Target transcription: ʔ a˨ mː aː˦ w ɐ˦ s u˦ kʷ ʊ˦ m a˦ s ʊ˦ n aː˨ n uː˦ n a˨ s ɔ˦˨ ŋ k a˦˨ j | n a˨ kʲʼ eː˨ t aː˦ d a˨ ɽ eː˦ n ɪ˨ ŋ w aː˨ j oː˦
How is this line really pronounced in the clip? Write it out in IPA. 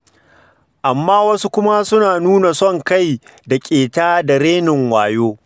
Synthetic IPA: ʔ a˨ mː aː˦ w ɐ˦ s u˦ kʷ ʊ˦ m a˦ s ʊ˦ n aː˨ n uː˦ n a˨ s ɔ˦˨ ŋ k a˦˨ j | d a˨ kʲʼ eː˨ t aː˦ d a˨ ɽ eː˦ n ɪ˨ ŋ w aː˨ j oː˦